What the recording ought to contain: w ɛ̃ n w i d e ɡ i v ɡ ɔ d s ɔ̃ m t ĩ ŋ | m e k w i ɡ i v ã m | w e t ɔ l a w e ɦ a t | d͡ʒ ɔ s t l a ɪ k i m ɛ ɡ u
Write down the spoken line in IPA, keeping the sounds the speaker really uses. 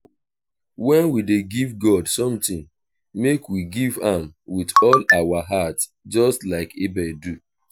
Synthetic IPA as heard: w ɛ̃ n w i d e ɡ i v ɡ ɔ d s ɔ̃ m t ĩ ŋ | m e k w i ɡ i v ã m | w i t ɔ l a w a ɦ a t | d͡ʒ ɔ s t l a ɪ k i b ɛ d u